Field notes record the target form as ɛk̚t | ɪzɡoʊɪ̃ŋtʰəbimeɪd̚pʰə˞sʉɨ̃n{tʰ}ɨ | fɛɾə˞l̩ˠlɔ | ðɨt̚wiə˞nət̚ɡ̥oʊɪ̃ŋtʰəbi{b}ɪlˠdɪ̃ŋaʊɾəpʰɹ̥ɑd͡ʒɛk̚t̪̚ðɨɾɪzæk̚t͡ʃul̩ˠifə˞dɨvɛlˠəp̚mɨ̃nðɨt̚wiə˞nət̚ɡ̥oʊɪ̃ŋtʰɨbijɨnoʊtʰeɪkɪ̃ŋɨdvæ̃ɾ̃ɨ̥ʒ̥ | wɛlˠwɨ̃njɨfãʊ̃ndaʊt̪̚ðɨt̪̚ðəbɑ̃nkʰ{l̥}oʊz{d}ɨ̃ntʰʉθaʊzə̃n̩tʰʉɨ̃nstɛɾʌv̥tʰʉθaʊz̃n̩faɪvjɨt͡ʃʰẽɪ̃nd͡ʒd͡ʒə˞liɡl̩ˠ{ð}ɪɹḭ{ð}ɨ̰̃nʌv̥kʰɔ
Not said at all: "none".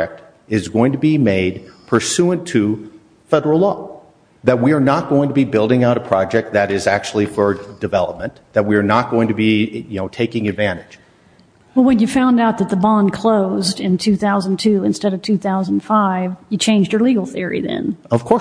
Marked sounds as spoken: tʰ, b, l̥, d, θ, ð

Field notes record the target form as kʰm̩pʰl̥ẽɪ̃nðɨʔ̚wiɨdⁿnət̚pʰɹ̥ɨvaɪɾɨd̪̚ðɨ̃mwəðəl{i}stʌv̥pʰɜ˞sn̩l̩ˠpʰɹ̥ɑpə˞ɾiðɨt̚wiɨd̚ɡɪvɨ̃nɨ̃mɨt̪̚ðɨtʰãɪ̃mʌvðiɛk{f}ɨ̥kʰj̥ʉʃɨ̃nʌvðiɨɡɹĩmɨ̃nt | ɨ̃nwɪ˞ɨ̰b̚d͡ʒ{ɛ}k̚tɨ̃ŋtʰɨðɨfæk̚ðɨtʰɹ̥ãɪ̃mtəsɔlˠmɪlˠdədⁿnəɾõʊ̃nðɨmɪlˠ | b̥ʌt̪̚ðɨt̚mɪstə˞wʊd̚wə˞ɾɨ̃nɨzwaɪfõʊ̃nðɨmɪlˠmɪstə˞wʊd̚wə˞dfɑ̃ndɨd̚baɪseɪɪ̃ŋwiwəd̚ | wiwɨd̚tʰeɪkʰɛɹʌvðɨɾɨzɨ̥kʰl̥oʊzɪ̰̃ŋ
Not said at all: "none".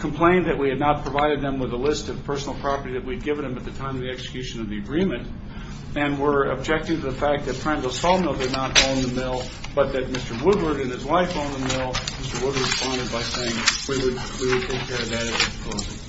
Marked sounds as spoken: ɪ, s, ɛ

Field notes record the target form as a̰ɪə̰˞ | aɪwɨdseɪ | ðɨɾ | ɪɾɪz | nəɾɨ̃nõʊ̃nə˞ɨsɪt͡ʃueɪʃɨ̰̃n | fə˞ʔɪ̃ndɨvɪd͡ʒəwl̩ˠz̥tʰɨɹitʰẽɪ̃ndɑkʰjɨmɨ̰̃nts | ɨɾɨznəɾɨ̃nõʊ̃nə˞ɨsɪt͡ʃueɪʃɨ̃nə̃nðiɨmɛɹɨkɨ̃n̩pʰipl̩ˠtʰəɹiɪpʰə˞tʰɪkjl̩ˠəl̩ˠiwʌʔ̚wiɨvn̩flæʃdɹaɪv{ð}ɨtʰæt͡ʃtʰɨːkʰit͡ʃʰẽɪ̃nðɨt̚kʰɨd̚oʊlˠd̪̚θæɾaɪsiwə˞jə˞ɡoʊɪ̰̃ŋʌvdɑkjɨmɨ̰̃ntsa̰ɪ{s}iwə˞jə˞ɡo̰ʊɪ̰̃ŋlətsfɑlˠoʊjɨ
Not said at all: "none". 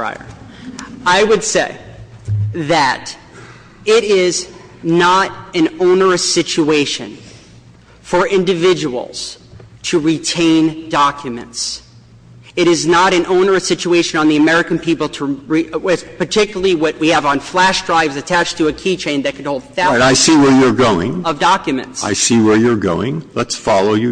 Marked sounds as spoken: z, s

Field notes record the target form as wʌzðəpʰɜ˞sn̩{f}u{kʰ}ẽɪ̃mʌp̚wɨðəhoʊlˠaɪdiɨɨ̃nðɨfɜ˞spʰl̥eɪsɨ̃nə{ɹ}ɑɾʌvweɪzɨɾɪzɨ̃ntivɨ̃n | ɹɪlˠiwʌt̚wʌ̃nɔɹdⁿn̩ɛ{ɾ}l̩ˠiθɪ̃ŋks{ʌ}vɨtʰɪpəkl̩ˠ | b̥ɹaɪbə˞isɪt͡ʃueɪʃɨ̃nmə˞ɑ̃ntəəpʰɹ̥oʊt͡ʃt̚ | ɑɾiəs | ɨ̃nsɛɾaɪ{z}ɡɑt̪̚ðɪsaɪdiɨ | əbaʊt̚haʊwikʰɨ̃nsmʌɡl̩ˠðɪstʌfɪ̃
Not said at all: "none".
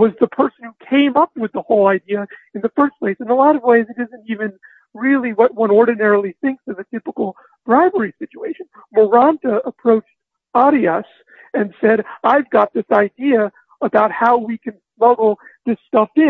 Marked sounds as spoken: h, kʰ, l, ɹ, ʌ, v

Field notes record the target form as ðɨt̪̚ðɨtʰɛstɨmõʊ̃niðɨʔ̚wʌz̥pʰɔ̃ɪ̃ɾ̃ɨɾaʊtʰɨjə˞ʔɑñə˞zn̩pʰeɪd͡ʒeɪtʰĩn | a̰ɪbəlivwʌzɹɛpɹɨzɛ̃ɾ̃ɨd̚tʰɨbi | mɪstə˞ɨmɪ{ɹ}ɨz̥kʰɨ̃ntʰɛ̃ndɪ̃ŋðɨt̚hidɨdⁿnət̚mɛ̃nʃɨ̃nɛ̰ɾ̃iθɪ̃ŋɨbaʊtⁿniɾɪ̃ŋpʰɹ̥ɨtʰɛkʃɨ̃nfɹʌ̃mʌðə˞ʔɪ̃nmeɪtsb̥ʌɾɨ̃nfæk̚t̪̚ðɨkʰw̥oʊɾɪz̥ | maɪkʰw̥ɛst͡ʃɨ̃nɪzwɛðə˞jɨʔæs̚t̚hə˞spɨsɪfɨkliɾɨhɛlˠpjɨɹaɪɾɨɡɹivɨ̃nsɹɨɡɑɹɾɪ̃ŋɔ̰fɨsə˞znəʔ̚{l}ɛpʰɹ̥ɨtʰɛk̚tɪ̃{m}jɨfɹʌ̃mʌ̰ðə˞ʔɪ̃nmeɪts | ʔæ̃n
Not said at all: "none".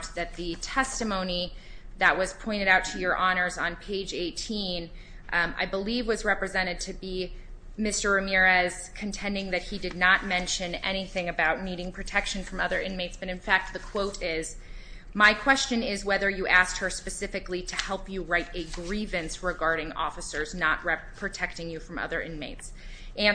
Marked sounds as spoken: ɹ, ɹ, ŋ

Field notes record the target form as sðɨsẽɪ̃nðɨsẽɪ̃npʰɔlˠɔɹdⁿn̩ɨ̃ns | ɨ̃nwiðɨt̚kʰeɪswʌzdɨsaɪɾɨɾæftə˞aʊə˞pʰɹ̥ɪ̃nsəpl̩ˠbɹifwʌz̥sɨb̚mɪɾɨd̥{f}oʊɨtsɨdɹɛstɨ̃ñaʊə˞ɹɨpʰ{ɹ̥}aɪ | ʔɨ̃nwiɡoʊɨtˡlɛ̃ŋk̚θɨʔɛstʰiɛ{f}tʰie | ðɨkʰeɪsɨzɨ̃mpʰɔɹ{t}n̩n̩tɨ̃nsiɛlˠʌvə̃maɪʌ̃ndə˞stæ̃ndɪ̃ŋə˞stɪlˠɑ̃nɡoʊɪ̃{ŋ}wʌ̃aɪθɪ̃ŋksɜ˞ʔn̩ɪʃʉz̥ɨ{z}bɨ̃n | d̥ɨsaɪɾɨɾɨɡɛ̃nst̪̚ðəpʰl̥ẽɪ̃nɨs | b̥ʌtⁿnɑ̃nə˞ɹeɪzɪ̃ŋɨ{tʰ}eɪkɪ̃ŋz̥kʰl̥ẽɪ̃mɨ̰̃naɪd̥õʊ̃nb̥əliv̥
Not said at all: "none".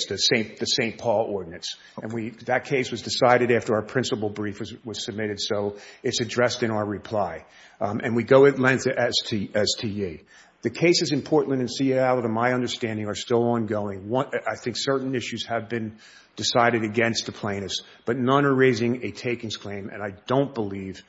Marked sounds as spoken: s, l̥, s, ʔ, ŋ, v, tʰ

